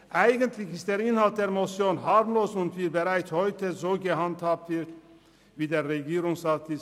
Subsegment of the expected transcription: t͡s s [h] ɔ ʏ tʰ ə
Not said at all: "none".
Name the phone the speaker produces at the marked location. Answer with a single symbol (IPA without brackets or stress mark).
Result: h